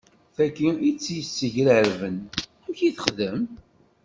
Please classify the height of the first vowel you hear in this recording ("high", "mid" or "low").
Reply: low